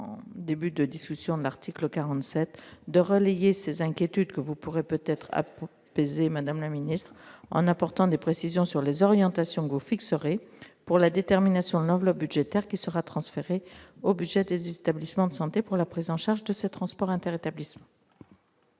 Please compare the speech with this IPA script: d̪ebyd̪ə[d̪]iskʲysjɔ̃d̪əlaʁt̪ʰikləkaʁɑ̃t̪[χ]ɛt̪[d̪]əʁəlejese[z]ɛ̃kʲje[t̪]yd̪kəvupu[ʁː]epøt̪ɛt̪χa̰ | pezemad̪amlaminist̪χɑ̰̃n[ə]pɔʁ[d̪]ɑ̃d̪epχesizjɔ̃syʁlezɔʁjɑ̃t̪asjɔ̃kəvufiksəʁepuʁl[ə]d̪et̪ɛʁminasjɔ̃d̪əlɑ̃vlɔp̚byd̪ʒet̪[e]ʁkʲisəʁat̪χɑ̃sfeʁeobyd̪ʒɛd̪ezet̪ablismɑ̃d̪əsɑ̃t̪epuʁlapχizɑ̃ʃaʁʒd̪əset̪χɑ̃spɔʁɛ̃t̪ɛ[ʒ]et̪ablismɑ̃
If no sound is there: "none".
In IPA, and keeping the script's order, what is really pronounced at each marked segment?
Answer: d̪, s, d̪, z, t̪, ʁ, a, t̪, a, ɛ, ʁ

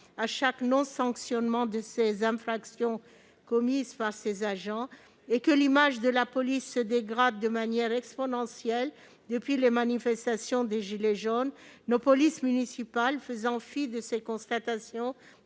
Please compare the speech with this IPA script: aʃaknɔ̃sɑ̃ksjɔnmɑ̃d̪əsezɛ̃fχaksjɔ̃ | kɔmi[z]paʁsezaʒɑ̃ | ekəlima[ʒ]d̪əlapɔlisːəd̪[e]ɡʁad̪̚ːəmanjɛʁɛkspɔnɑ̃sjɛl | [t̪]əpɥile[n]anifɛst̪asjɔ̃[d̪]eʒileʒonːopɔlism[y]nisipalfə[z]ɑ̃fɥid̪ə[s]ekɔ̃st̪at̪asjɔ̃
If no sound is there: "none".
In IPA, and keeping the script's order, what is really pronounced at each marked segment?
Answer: z, ʒ, e, d̪, m, d̪, y, z, s

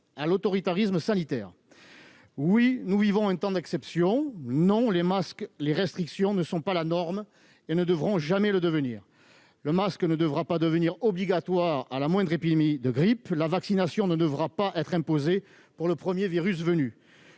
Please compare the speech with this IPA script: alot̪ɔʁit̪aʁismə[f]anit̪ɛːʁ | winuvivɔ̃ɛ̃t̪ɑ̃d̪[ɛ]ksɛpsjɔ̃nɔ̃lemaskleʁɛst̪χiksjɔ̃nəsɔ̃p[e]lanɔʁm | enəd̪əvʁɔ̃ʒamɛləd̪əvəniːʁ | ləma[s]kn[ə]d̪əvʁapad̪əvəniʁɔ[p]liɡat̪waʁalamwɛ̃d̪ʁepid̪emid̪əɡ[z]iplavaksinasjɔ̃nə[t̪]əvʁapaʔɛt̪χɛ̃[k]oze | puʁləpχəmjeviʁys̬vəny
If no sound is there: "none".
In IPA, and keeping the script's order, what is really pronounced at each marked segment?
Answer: s, ɛ, a, s, ə, b, ʁ, d̪, p

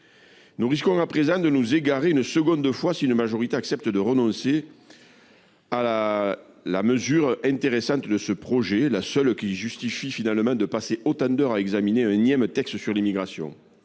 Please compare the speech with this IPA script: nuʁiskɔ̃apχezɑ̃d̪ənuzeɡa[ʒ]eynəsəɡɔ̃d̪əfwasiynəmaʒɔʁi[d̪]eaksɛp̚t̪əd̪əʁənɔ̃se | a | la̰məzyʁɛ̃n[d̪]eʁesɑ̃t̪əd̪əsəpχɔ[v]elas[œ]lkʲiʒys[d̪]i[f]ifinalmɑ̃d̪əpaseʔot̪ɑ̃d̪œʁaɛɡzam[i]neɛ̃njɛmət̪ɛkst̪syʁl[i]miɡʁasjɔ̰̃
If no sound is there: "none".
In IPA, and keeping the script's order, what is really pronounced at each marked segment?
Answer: ʁ, t̪, t̪, ʒ, œ, t̪, f, i, i

